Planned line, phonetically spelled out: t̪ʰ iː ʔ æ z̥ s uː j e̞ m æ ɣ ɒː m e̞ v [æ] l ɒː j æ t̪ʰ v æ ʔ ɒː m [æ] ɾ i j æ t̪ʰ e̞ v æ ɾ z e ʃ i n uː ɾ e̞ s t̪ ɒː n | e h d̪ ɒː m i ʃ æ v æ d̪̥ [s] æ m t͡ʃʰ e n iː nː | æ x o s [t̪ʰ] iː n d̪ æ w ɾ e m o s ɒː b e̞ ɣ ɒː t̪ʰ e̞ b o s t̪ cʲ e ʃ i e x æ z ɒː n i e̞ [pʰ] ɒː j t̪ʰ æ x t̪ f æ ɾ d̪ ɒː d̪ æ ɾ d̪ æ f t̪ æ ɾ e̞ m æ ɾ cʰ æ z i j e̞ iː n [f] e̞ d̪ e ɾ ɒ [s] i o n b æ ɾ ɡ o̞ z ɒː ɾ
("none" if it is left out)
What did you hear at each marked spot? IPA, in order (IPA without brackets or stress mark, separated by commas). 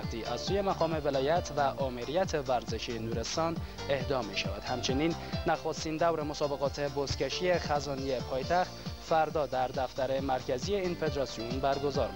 e, e, h, t̪, pʰ, f, s